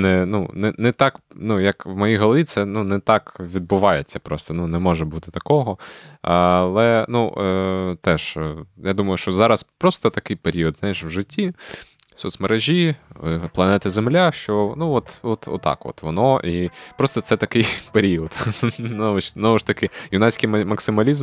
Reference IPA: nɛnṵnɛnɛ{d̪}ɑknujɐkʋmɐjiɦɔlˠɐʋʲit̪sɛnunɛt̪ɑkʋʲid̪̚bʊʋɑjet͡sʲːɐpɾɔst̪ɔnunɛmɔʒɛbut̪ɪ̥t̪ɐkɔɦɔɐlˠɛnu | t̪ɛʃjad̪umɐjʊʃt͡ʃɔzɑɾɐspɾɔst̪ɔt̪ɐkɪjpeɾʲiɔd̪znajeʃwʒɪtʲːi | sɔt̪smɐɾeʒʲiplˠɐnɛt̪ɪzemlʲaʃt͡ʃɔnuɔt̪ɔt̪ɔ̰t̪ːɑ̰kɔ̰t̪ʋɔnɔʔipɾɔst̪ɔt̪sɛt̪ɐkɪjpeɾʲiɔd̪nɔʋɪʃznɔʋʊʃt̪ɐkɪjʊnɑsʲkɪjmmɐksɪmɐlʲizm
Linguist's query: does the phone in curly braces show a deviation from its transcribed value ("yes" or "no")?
yes